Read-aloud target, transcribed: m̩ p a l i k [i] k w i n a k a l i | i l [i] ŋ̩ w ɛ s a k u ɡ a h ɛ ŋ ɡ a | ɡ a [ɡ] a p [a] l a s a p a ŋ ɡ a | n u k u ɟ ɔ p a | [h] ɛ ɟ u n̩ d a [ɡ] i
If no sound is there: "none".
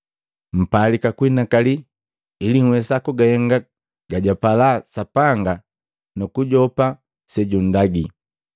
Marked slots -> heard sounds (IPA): a, i, ɟ, a, s, ɡ

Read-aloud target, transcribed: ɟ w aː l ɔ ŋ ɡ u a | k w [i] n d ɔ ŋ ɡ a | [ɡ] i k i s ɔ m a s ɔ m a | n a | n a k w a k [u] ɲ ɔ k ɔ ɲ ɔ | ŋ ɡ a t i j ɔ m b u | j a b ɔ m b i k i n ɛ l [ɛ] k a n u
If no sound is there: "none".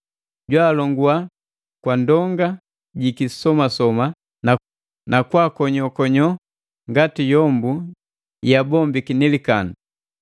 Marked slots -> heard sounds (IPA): a, ɟ, ɔ, i

